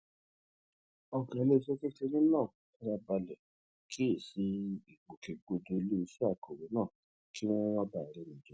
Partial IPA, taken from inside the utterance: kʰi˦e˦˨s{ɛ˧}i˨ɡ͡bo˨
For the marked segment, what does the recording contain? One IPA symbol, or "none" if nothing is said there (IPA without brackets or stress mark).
i˧